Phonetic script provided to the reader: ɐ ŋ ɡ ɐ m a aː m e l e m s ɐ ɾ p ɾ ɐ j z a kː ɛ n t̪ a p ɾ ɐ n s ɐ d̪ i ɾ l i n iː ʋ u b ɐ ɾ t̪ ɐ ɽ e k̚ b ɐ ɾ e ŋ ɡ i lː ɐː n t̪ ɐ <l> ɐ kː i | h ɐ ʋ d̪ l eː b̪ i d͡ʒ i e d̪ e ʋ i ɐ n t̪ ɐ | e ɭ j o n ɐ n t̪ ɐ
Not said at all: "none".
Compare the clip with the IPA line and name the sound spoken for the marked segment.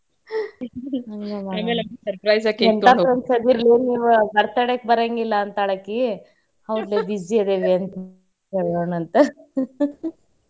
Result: ɭ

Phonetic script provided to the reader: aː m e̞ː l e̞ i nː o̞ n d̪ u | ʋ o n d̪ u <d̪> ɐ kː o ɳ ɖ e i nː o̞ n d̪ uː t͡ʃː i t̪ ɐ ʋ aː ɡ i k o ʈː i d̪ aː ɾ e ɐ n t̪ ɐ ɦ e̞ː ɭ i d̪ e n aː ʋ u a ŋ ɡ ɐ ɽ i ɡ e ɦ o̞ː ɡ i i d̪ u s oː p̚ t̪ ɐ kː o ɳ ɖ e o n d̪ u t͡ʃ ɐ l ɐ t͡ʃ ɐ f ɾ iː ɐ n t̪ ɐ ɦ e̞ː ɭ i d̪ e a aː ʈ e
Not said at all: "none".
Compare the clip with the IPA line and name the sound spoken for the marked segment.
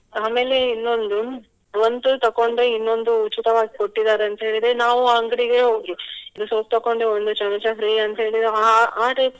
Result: t̪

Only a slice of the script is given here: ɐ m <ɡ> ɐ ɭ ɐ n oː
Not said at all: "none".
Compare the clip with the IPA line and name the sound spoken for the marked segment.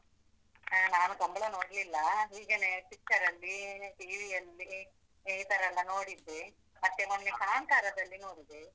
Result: b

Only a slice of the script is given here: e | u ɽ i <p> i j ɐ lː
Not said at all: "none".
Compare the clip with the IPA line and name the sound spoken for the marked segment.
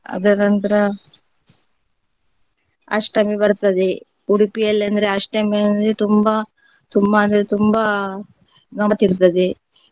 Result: p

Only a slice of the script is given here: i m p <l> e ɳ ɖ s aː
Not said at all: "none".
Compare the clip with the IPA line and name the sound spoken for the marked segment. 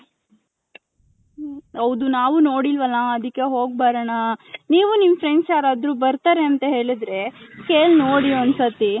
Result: ɾ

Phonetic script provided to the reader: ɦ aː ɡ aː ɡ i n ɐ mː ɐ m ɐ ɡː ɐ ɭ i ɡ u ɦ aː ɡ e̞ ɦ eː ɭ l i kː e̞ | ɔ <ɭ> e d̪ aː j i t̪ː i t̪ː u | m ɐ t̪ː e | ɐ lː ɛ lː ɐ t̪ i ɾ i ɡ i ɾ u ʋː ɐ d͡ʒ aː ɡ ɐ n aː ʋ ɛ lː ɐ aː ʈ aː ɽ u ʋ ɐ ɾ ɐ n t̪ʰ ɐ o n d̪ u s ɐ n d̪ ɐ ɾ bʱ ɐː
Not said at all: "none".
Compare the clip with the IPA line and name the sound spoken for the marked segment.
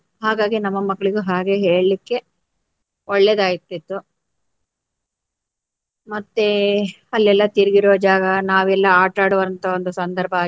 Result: ɭː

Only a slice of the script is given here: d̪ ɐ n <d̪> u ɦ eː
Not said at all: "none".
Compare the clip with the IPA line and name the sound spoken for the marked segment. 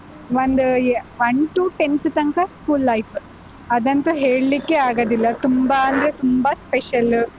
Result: t̪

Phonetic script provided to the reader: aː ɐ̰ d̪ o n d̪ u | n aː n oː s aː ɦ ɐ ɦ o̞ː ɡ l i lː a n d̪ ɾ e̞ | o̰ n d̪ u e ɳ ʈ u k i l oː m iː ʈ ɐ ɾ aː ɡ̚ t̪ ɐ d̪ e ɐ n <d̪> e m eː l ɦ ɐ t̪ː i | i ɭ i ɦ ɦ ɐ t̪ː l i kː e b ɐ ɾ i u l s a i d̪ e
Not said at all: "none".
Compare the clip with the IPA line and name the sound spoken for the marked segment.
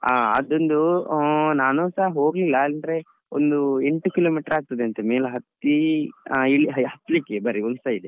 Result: t̪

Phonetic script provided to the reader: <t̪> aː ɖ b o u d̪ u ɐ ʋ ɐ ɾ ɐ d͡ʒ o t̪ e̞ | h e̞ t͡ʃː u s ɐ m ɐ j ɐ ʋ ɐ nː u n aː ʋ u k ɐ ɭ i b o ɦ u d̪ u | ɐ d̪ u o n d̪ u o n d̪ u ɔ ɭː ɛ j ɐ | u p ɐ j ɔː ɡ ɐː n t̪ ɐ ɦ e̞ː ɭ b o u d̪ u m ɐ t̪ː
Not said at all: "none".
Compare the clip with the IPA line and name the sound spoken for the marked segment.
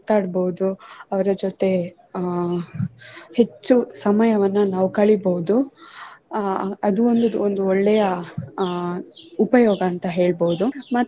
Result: t̪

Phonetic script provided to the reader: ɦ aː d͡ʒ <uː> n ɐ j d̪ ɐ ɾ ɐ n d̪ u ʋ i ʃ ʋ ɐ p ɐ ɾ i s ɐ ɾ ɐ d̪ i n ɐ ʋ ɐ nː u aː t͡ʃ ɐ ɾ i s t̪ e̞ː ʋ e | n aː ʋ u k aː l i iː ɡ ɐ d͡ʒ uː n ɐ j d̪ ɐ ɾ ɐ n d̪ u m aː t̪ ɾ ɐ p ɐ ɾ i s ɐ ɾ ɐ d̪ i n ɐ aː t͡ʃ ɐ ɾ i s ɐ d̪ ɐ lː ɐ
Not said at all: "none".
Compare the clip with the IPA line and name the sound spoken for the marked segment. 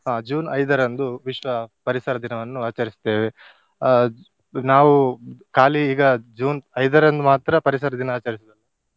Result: uː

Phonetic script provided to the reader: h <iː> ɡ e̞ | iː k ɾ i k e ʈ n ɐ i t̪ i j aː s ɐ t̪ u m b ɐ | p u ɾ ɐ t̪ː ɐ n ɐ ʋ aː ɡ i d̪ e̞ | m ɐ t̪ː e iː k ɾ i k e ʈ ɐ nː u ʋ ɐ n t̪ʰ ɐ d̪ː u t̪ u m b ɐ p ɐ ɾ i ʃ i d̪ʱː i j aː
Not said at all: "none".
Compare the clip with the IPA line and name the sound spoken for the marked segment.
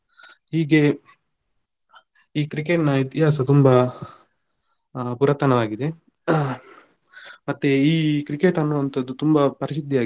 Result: iː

